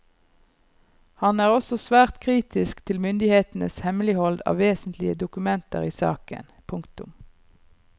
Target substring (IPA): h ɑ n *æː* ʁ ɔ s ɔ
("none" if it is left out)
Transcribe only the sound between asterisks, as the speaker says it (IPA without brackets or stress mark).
æː